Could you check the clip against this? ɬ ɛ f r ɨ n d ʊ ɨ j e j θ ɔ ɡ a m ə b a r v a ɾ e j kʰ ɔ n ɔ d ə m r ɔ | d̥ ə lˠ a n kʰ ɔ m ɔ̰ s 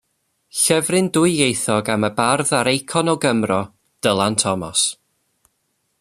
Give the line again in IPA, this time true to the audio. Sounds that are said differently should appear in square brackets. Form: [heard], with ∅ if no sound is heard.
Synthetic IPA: ɬ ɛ [v] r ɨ n d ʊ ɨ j e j θ ɔ ɡ a m ə b a r [ð] a ɾ e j kʰ ɔ n ɔ [ɡ] ə m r ɔ | d̥ ə lˠ a n [tʰ] ɔ m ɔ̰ s